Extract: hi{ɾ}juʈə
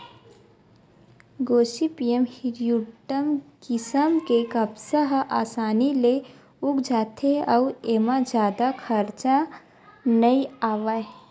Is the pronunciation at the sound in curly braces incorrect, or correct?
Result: correct